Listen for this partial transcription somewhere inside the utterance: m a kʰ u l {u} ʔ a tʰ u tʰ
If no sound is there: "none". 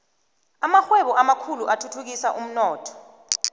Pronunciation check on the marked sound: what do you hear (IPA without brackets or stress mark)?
u